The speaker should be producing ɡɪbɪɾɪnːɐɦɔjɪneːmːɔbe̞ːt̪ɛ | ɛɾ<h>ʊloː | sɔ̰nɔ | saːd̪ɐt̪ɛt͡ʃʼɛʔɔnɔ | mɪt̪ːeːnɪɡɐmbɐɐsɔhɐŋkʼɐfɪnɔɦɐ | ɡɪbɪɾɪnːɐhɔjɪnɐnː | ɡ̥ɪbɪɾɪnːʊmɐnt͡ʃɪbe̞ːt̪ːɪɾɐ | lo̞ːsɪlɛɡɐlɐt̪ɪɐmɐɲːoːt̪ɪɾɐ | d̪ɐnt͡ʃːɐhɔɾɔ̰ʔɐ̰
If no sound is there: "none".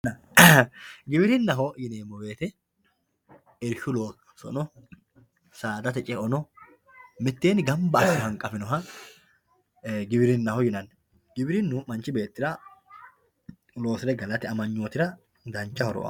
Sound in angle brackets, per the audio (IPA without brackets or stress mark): ʃ